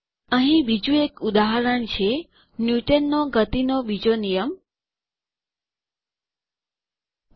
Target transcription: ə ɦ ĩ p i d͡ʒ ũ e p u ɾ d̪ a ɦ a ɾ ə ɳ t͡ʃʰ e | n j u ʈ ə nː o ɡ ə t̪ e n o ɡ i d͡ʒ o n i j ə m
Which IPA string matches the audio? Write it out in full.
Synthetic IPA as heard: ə ɦ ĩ b i d͡ʒ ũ e k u d̪ a ɦ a ɾ ə ɳ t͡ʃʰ e | n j u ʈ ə nː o ɡ ə t̪ i n o b i d͡ʒ o n i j ə m